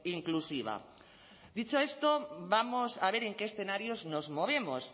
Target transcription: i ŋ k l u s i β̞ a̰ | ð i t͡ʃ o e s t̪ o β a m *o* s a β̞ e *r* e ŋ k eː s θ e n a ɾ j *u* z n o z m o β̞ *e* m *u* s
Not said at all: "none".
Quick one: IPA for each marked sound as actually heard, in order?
o, ɾ, o, e, o

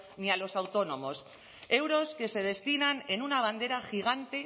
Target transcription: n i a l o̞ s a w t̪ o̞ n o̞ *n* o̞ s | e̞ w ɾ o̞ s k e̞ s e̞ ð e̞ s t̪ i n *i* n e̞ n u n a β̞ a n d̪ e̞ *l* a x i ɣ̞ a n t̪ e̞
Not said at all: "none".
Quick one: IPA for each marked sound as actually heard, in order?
m, a, ɾ

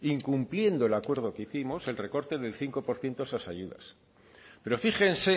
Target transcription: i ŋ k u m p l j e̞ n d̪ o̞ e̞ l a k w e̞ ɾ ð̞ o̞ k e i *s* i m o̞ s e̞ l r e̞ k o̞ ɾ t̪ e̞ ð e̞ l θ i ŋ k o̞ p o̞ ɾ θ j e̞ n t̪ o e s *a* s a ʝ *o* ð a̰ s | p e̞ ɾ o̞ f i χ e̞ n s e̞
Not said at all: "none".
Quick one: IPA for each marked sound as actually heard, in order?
θ, a, u

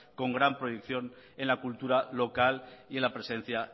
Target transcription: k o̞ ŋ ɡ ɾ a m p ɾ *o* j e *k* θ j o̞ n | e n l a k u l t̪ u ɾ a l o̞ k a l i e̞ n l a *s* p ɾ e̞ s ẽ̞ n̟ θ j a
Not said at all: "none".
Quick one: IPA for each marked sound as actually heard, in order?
o, k, none

